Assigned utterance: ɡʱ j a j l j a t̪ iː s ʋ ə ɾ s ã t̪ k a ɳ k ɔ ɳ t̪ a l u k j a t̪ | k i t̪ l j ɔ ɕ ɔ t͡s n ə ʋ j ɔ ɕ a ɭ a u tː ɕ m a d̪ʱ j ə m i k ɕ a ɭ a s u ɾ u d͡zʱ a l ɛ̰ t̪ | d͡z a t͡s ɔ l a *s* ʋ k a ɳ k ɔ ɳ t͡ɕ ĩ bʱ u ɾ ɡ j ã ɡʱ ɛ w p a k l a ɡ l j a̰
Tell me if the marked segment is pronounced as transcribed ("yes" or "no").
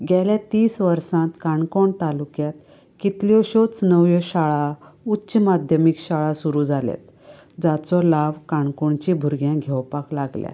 no